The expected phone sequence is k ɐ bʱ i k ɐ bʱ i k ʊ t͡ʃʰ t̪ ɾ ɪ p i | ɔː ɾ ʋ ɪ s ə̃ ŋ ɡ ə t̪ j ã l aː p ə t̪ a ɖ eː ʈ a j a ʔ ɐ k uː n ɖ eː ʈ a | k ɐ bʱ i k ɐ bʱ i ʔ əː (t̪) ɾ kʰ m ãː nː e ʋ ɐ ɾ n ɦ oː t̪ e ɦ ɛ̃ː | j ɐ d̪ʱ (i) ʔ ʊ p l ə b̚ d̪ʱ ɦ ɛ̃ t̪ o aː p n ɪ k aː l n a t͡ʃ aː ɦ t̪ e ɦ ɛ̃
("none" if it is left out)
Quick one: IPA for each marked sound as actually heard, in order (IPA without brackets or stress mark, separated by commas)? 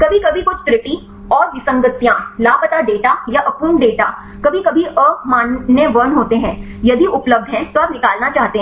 none, i